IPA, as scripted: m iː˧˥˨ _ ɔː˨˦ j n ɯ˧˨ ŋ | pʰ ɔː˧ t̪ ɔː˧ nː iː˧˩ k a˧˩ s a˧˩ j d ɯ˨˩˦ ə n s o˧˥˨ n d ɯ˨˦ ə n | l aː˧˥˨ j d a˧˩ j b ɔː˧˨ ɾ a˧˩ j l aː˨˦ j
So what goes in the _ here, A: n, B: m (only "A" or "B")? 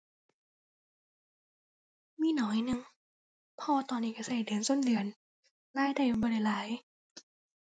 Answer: A